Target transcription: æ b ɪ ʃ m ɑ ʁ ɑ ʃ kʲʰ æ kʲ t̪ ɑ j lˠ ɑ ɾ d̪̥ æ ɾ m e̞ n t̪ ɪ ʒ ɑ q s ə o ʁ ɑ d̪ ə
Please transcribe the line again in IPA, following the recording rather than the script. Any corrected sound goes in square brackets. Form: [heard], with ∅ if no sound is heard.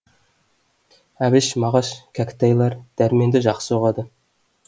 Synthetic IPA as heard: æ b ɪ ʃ m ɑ ʁ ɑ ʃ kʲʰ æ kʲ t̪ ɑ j lˠ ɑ ɾ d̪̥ æ ɾ m e̞ n [d̪] ɪ ʒ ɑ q s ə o ʁ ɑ d̪ ə